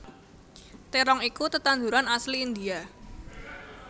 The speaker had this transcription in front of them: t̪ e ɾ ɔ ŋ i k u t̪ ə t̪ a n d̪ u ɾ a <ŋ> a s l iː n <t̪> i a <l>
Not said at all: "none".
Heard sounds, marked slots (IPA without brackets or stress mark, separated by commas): n, d̪, none